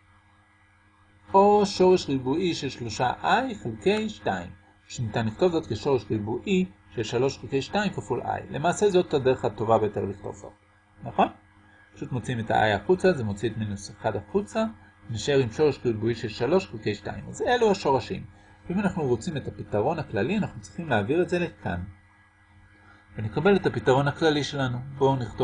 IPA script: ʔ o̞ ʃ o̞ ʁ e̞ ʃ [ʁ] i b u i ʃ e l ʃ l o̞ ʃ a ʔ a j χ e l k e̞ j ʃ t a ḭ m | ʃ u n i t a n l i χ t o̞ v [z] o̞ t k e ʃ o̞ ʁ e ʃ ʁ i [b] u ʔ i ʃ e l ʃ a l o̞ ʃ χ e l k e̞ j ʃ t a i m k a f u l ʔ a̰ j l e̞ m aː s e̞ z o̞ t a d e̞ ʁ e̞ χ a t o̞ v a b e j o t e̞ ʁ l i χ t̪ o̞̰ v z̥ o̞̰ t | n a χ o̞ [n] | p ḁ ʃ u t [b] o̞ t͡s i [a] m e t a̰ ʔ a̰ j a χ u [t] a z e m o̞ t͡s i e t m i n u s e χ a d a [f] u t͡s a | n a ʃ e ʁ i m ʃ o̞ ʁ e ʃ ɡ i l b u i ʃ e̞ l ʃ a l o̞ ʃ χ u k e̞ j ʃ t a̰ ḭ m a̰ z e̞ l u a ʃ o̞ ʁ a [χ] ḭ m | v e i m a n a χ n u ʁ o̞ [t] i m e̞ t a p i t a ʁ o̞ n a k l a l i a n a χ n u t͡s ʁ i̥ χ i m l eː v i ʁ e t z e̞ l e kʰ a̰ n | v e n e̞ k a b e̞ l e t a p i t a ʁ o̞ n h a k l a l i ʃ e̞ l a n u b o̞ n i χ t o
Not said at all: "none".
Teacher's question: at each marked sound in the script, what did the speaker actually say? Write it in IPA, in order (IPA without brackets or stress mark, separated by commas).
ʁ, z, b, n, m, i, t͡s, χ, ʃ, t͡s